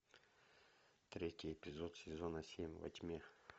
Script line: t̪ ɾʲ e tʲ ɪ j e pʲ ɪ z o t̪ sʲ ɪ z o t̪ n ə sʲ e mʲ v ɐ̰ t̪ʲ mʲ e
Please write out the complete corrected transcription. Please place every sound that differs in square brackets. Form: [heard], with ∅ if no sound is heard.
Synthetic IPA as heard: t̪ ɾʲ e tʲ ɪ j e pʲ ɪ z o t̪ sʲ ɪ z o [∅] n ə sʲ e mʲ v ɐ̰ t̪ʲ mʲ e